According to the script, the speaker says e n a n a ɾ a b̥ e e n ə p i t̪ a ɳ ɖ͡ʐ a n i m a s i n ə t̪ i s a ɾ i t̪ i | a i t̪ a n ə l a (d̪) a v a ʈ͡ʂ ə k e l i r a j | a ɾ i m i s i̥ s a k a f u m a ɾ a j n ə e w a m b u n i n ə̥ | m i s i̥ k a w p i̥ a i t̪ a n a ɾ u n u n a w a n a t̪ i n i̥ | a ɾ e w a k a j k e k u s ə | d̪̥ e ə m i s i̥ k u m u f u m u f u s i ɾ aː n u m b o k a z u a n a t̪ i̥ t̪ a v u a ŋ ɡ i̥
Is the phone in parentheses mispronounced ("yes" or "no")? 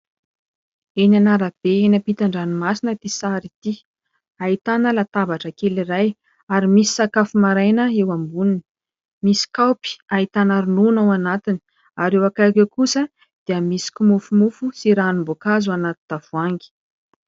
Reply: yes